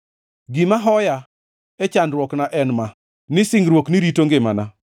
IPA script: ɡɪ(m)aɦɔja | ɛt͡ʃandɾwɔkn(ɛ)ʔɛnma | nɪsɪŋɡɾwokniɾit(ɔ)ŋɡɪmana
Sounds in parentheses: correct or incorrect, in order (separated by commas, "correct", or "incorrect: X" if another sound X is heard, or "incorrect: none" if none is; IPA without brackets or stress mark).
correct, incorrect: a, incorrect: o